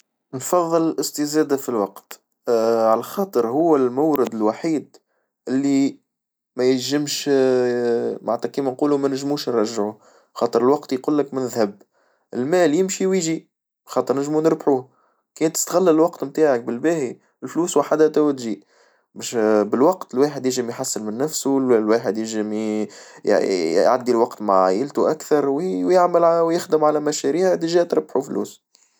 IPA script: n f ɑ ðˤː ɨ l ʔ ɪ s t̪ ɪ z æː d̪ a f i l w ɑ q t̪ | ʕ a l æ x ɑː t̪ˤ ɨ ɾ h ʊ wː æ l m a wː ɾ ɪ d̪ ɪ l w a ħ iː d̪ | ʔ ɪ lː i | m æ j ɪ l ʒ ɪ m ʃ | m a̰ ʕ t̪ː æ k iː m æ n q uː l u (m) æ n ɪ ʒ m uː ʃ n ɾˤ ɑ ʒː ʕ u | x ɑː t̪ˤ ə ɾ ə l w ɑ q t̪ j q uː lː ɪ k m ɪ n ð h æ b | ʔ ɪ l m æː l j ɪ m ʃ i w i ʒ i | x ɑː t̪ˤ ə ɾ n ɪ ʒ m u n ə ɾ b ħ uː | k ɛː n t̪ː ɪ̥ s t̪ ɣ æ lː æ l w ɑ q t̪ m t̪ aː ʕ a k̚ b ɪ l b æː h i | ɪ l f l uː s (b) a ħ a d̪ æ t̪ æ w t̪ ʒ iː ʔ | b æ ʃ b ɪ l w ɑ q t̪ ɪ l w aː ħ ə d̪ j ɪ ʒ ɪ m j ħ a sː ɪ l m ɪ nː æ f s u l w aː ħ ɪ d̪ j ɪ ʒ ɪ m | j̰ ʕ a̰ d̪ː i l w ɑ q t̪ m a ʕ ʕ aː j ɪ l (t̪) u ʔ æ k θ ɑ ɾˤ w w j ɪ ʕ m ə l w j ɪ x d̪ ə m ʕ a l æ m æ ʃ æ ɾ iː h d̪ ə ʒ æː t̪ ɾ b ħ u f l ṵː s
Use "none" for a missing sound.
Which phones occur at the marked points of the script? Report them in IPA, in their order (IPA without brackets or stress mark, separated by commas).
m, w, t̪